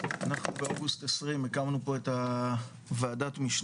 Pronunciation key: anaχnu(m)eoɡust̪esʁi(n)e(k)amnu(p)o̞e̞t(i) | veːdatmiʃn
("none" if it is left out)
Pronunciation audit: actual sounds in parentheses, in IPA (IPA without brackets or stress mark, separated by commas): b, m, k, p, a